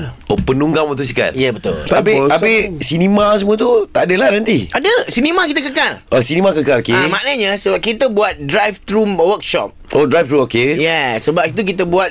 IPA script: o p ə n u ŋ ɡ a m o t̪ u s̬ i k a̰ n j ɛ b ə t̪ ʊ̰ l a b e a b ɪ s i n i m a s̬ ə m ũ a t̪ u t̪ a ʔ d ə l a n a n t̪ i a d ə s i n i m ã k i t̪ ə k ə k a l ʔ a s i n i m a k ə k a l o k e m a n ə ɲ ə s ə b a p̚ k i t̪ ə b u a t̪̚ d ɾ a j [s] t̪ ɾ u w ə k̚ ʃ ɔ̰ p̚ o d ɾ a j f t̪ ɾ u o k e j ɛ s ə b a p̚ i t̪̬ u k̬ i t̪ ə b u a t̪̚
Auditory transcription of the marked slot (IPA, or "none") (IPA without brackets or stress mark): f